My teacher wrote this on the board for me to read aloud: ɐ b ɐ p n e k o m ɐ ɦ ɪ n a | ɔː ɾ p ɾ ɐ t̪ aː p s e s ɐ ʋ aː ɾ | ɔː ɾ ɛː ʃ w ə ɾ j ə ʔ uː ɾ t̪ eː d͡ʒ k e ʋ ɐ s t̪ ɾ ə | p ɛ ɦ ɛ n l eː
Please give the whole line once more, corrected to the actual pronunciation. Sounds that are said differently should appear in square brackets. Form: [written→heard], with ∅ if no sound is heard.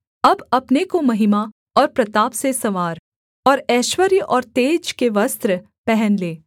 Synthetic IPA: ɐ b ɐ p n e k o m ɐ ɦ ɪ [n→m] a | ɔː ɾ p ɾ ɐ t̪ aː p s e s ɐ ʋ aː ɾ | ɔː ɾ ɛː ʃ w ə ɾ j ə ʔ [uː→ɔː] ɾ t̪ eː d͡ʒ k e ʋ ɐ s t̪ ɾ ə | p ɛ ɦ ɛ n l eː